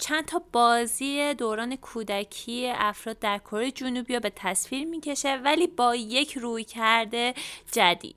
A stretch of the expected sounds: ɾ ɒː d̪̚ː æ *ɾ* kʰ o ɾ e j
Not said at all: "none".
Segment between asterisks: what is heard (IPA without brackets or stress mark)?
ɾ